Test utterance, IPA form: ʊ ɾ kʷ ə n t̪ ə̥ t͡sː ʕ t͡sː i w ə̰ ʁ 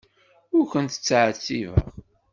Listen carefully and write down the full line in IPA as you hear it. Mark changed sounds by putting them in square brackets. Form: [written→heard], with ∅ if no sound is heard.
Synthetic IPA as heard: ʊ ɾ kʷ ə n t̪ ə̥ t͡sː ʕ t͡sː i [w→v] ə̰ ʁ